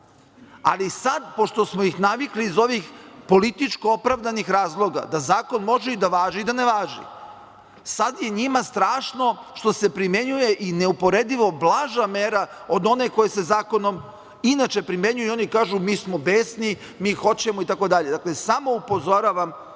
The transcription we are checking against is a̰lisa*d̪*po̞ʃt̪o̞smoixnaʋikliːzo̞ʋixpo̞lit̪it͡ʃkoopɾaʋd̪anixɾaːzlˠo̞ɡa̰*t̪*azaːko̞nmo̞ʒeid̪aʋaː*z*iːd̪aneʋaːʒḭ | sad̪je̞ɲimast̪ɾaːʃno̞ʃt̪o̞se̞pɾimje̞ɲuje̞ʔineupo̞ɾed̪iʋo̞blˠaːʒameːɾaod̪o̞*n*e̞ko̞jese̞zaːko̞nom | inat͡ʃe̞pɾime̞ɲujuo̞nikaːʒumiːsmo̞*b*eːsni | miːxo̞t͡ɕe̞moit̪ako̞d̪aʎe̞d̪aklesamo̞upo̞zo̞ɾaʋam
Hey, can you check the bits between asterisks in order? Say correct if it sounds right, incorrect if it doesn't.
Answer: correct, incorrect, incorrect, correct, correct

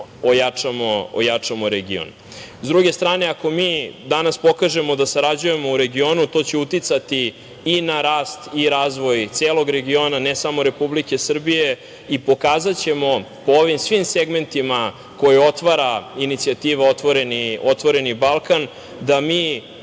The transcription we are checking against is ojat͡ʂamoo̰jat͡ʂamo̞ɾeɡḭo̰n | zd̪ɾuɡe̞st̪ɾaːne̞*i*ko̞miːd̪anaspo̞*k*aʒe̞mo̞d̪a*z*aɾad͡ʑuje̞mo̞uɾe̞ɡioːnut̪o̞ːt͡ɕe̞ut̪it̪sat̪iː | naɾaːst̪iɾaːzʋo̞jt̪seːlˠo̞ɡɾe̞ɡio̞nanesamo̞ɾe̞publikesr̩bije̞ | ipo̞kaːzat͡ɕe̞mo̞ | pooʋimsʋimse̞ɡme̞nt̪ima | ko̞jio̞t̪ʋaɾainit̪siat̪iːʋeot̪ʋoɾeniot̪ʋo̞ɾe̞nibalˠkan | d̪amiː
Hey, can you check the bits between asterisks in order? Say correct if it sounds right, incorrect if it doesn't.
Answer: incorrect, correct, incorrect

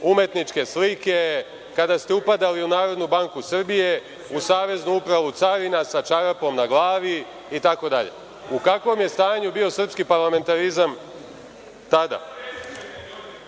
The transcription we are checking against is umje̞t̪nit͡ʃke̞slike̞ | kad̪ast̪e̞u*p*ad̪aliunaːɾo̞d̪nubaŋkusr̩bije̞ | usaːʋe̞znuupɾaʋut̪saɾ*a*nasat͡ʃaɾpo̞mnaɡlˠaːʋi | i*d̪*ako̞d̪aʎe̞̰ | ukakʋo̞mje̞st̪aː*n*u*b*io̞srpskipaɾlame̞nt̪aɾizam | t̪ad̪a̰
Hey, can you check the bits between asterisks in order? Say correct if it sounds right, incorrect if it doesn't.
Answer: correct, incorrect, incorrect, incorrect, correct

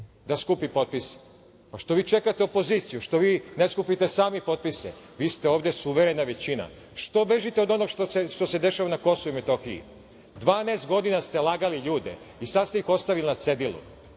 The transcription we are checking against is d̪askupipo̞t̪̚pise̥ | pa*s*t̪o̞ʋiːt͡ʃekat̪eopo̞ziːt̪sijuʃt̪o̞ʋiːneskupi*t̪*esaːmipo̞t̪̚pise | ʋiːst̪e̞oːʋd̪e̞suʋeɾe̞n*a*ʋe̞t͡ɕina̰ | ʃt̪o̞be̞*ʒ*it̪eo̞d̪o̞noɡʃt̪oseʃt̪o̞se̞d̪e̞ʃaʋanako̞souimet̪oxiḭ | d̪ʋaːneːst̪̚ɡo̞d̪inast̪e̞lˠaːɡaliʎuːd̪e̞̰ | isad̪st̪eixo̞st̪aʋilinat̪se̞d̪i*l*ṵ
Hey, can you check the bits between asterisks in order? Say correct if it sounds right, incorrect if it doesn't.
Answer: incorrect, correct, correct, correct, correct

